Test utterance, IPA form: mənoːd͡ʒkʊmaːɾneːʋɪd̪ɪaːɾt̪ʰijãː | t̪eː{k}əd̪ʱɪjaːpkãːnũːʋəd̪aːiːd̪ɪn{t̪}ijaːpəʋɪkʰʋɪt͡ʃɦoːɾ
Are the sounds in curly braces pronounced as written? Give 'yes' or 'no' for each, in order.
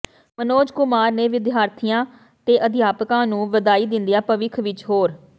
no, no

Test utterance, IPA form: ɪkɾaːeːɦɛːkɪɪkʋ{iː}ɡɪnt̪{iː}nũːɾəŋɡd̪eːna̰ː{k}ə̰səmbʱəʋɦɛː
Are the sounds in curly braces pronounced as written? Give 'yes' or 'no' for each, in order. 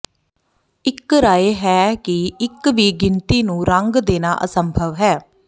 yes, yes, no

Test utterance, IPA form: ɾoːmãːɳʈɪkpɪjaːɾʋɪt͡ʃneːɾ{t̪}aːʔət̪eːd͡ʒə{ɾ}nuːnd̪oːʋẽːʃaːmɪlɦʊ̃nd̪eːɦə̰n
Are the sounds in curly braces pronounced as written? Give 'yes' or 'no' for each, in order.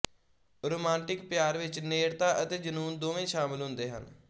yes, no

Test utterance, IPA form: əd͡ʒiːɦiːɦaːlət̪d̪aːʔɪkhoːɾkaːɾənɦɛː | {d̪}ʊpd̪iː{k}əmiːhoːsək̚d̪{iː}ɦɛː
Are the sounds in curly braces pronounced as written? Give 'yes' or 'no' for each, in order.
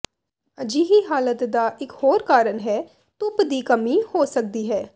no, yes, yes

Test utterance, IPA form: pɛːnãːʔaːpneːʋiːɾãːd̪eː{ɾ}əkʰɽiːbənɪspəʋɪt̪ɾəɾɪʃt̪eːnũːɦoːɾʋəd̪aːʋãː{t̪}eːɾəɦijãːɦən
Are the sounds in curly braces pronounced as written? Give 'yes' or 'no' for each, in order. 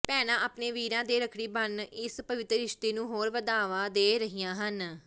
yes, no

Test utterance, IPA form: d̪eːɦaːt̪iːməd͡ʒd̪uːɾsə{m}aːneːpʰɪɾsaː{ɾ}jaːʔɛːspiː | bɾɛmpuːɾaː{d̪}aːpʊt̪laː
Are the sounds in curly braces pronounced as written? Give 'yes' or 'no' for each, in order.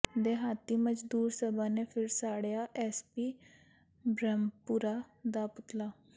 no, no, yes

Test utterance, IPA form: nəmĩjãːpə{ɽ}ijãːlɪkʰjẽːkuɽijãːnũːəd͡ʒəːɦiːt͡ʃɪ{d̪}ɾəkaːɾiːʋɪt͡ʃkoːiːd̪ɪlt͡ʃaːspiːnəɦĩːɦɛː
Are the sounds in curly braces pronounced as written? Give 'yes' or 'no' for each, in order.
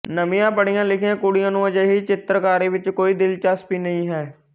yes, no

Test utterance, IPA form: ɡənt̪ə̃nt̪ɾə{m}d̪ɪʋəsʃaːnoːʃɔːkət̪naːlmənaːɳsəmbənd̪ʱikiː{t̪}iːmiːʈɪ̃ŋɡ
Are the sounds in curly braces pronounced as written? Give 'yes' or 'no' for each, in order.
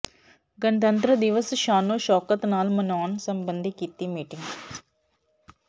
no, yes

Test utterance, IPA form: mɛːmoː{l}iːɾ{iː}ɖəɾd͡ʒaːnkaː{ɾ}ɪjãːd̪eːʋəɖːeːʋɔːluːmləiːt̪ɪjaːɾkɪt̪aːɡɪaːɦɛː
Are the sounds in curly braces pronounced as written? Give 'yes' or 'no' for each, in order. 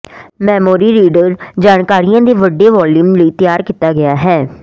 no, yes, yes

